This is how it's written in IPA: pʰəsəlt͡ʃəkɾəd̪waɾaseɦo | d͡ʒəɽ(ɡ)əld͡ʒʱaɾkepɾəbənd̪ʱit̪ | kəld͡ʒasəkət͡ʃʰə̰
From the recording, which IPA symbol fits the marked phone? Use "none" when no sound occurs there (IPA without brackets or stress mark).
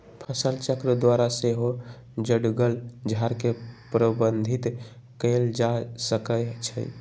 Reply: ɡ